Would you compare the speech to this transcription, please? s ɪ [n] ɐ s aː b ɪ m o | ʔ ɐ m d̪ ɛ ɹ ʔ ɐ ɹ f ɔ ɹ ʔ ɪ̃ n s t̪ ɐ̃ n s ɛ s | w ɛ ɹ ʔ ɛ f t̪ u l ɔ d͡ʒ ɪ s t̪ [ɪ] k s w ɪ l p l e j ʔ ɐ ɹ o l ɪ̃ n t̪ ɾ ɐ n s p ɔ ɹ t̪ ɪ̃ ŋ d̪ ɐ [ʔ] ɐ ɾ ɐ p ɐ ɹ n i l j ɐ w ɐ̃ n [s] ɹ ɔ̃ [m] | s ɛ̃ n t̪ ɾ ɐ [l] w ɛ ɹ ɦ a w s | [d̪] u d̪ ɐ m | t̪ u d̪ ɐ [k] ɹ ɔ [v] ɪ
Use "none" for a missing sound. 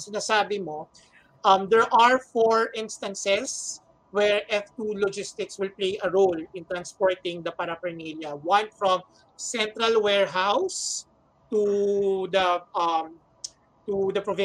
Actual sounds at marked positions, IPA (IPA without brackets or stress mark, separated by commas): n, ɪ, p, f, m, l, t̪, p, v